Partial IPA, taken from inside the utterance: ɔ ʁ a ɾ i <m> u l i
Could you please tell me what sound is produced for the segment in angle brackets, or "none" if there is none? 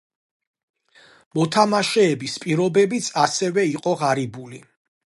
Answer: b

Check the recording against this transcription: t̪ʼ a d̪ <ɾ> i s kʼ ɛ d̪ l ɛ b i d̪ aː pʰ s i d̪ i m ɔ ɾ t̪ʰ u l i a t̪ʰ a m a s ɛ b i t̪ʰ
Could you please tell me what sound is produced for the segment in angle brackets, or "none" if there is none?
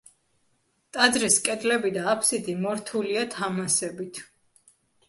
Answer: ɾ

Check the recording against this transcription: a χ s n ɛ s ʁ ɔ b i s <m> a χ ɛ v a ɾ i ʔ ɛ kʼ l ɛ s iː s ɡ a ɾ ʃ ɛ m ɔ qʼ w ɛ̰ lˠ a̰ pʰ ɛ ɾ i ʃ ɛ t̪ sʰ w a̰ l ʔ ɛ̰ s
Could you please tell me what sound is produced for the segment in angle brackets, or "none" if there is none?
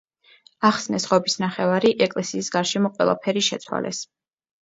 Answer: n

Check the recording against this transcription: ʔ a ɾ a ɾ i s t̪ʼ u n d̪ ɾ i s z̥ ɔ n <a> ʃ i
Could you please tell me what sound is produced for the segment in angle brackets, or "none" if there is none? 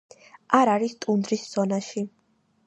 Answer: a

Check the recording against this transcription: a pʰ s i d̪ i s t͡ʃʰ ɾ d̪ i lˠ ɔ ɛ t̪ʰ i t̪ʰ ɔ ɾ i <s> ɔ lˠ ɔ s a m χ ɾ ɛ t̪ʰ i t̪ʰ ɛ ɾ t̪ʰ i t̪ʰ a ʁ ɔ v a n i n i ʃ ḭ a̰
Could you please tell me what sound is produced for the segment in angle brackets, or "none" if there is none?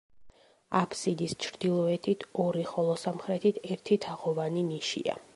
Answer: χ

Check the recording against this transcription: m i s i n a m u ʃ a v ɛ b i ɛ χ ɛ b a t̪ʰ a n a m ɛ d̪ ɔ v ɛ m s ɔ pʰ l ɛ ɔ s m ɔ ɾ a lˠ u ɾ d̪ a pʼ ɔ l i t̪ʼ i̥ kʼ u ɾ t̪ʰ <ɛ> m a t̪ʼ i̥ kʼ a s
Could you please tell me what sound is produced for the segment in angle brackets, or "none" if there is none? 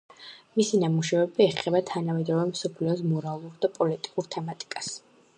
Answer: ɛ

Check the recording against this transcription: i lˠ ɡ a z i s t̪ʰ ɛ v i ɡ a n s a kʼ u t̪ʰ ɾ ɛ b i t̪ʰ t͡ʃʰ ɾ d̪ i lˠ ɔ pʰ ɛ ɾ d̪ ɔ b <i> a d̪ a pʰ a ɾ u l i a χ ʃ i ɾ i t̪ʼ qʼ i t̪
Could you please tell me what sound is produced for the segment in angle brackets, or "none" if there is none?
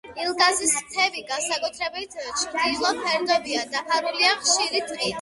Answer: i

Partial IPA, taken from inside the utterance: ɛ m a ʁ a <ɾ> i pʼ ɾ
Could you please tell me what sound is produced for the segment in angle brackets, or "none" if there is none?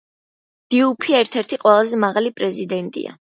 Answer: l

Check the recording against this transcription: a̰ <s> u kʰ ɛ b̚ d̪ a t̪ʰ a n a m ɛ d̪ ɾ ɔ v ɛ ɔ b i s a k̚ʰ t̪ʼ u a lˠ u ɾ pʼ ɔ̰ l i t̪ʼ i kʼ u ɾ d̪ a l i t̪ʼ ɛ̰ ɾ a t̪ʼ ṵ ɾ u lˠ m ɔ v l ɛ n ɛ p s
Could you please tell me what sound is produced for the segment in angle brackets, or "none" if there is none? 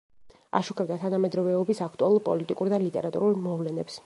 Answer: ʃ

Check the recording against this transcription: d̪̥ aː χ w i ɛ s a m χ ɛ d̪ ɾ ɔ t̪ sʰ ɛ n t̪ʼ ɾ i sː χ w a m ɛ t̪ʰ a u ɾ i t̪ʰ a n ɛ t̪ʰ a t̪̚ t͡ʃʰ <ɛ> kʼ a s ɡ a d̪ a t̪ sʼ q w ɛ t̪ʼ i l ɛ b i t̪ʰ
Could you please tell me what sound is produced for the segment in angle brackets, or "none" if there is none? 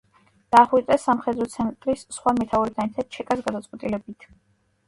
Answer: ɛ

